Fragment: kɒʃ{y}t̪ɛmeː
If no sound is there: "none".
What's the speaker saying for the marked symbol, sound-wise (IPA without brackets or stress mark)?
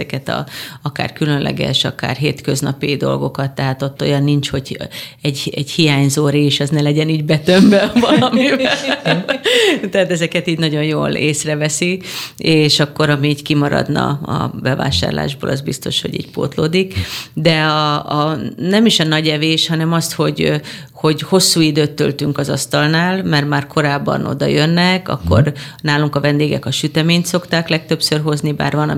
y